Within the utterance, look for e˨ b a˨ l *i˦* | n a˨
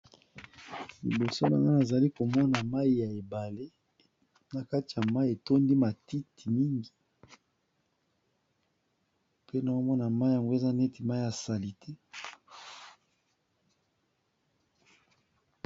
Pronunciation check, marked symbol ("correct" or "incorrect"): incorrect